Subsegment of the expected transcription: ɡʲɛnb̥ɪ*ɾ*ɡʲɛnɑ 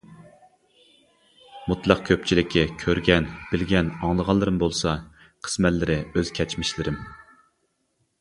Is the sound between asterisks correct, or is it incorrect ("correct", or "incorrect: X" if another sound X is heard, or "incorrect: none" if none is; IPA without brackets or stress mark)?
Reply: incorrect: l